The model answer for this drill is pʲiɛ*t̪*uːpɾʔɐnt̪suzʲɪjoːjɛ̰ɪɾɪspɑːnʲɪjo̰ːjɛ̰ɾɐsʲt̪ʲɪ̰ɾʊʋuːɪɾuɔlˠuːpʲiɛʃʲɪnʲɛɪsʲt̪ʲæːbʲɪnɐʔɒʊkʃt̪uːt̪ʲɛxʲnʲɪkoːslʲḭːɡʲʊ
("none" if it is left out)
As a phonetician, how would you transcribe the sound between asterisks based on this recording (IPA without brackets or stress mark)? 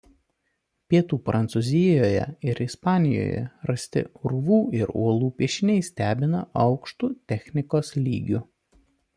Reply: t̪